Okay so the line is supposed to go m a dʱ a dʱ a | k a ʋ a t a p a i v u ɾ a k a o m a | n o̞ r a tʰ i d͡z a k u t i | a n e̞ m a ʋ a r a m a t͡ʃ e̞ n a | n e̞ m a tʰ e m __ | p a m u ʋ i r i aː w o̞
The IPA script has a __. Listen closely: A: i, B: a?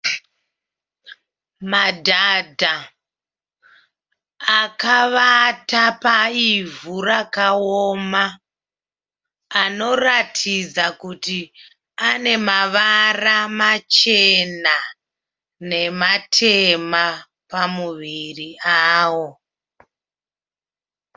B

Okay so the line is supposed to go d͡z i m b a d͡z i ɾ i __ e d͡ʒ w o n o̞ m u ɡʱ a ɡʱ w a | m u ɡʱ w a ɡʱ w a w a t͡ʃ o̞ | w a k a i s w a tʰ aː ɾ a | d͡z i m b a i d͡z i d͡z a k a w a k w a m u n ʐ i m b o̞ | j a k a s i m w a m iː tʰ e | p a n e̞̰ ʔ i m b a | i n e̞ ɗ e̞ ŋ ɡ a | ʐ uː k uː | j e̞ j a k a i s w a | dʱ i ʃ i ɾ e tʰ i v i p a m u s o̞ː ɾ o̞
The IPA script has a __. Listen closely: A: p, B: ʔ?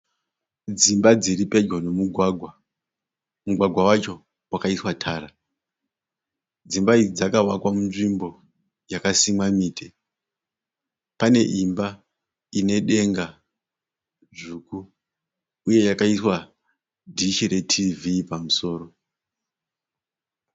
A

